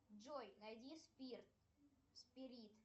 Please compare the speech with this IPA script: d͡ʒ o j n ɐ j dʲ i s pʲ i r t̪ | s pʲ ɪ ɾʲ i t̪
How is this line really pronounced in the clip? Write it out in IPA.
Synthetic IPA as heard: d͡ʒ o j n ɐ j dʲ i s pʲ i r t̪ | s pʲ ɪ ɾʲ i t̪